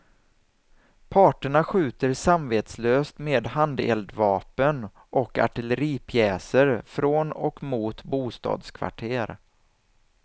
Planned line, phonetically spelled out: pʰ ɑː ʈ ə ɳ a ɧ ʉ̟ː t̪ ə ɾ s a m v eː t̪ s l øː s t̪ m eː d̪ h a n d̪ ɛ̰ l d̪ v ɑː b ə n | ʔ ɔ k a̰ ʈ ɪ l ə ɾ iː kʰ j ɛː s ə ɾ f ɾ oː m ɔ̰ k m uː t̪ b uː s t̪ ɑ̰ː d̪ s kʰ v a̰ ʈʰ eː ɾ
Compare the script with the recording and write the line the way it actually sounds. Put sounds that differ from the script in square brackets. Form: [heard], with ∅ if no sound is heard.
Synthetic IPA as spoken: pʰ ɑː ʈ ə ɳ a ɧ ʉ̟ː t̪ ə ɾ s a m v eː t̪ s l øː s t̪ m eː d̪ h a n d̪ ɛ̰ l d̪ v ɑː [p] ə n | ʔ ɔ k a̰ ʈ ɪ l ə ɾ iː [pʰ] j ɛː s ə ɾ f ɾ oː [n] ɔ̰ k m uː t̪ b uː s t̪ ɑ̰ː d̪ s kʰ v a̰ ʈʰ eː ɾ